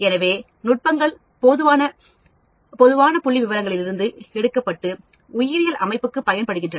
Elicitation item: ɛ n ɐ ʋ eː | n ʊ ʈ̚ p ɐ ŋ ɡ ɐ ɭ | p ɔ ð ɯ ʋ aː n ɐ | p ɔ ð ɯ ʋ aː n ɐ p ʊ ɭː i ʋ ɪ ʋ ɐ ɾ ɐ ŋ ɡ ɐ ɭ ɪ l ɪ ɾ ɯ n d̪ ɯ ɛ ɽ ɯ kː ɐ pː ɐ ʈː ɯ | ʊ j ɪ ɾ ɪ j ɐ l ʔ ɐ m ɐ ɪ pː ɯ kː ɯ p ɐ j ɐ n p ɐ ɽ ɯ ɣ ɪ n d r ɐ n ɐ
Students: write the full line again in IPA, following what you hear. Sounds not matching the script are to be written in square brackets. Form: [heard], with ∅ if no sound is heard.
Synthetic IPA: ɛ n ɐ ʋ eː | n ʊ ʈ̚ p ɐ ŋ ɡ ɐ ɭ | p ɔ ð ɯ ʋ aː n ɐ | p ɔ ð ɯ ʋ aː n ɐ p ʊ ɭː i ʋ ɪ ʋ ɐ ɾ ɐ ŋ ɡ ɐ ɭ ɪ l ɪ ɾ ɯ n d̪ ɯ ɛ ɽ ɯ kː ɐ pː ɐ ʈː ɯ | ʊ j ɪ ɾ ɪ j ɐ l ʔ ɐ m ɐ ɪ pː ɯ kː ɯ p ɐ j ɐ n p ɐ ɽ ɯ ɣ ɪ n d r ɐ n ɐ